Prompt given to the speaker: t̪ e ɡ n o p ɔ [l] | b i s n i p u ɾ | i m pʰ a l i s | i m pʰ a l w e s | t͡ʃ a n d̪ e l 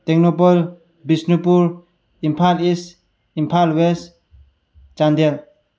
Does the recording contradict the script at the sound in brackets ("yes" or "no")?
no